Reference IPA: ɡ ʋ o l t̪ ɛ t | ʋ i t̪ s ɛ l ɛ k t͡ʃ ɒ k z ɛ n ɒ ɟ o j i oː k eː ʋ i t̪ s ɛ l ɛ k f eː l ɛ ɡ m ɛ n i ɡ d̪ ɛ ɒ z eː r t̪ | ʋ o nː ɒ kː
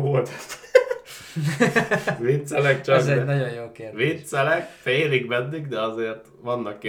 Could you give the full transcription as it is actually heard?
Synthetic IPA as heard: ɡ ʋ o l t̪ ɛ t | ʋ i t̪ s ɛ l ɛ k t͡ʃ ɒ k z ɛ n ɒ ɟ o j j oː k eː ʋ i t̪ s ɛ l ɛ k f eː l i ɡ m ɛ nː i ɡ d̪ ɛ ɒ z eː r t̪ | ʋ ɒ nː ɒ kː